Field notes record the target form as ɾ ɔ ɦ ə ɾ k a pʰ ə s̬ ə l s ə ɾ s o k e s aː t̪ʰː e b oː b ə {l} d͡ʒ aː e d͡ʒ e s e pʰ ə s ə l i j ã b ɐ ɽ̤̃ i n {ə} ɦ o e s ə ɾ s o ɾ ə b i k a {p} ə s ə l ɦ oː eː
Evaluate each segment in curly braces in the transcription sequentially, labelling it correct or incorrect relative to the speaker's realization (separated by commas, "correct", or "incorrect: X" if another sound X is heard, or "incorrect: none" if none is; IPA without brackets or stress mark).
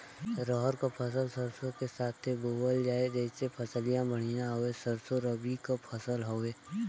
correct, incorrect: a, incorrect: pʰ